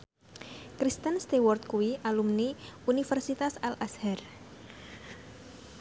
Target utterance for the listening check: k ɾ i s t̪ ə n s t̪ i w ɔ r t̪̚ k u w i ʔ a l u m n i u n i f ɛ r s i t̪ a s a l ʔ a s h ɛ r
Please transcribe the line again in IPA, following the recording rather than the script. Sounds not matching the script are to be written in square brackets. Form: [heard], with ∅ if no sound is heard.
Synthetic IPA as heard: k ɾ i s t̪ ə n s t̪ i w ɔ r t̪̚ k u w i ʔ a l u m n i u n i f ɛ r s i t̪ a s a l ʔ a s h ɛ r

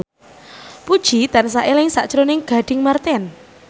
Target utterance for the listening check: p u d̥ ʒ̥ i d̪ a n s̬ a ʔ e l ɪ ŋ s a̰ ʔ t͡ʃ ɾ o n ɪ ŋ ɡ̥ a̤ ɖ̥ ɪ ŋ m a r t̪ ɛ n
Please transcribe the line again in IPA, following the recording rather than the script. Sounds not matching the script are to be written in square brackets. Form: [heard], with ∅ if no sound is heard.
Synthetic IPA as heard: p u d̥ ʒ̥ i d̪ a n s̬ a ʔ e l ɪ ŋ s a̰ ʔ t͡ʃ ɾ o n ɪ ŋ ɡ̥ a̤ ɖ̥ ɪ ŋ m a r t̪ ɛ n

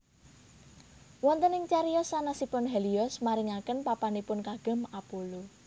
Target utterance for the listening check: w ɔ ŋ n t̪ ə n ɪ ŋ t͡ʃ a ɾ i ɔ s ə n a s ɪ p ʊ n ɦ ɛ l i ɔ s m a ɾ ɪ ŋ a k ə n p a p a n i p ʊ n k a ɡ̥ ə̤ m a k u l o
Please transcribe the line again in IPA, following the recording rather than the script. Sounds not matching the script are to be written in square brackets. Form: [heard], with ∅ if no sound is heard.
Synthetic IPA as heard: w ɔ [∅] n t̪ ə n ɪ ŋ t͡ʃ a ɾ i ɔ s [a] n a s [i] p ʊ n ɦ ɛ l i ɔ s m a ɾ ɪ ŋ a k ə n p a p a n i p ʊ n k a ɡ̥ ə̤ m a [p] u l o

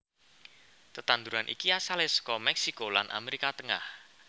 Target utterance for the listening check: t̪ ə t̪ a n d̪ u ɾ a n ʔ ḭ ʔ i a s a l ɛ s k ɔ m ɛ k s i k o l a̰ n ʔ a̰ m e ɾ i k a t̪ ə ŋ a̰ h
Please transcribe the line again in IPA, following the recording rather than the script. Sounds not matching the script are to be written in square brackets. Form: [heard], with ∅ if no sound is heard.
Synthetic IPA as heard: t̪ ə t̪ a n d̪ u ɾ a n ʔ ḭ [k] i a s a l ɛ s k ɔ m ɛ k s i k o l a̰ n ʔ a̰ m e ɾ i k a t̪ ə ŋ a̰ h

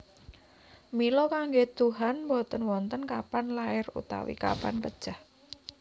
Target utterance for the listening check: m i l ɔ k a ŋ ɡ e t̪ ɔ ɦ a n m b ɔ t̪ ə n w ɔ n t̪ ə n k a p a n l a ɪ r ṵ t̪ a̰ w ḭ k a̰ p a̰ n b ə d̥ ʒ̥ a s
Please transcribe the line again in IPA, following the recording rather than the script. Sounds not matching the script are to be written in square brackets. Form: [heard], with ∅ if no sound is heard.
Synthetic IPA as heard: m i l ɔ k a ŋ ɡ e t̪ [u] ɦ a n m b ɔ t̪ ə n w ɔ n t̪ ə n k a p a n l a ɪ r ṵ t̪ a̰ w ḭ k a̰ p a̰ n [p] ə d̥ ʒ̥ a [h]

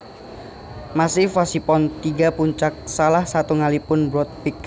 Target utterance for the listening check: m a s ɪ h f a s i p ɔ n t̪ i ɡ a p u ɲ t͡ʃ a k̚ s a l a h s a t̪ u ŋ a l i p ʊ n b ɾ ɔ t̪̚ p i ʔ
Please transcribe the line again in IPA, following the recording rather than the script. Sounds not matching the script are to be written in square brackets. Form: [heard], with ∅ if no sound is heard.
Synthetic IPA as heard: m a s ɪ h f a s i p ɔ n t̪ i ɡ a p u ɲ t͡ʃ a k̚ s a l a h s a t̪ u ŋ a l i p ʊ n b ɾ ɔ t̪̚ p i [k]

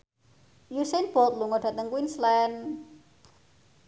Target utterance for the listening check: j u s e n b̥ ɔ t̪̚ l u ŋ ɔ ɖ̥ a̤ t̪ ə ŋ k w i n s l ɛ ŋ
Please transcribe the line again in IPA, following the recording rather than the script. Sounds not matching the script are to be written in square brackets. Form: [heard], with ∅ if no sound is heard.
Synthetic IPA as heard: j u s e n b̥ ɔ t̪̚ l u ŋ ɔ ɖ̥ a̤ t̪ ə ŋ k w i n s l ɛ [n]

